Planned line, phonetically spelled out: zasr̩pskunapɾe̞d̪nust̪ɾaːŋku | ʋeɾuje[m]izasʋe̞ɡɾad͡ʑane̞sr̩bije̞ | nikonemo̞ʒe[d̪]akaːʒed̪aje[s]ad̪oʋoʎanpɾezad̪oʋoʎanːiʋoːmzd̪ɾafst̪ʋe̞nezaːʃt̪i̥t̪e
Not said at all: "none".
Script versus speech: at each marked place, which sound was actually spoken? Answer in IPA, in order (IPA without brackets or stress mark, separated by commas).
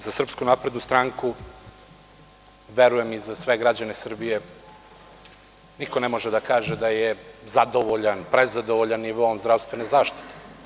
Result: m, d̪, z